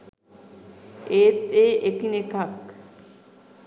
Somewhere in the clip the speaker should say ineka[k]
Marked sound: correct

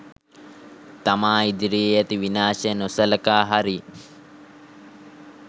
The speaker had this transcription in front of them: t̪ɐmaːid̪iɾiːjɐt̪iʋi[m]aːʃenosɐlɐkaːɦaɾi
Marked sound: incorrect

